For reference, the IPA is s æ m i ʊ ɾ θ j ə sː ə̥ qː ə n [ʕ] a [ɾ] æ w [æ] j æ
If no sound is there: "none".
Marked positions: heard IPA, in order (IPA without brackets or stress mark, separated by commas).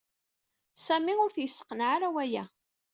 ʕ, ɾ, æ